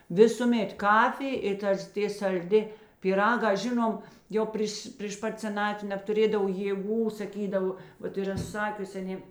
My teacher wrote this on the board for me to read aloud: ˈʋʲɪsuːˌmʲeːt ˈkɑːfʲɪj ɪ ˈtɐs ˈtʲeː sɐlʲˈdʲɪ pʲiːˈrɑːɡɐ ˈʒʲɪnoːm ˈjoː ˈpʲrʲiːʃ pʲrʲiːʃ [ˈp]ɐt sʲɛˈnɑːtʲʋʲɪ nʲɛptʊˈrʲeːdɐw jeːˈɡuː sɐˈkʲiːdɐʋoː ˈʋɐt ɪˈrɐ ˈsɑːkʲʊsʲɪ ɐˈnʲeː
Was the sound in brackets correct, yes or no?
yes